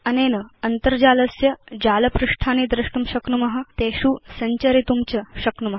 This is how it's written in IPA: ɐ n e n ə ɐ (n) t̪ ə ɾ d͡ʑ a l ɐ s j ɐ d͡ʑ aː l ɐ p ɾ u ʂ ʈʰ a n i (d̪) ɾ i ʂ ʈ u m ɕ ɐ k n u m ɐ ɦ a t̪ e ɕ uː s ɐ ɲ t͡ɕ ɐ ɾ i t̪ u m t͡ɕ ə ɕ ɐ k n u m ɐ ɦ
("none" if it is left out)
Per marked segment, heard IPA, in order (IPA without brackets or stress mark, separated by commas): n, d̪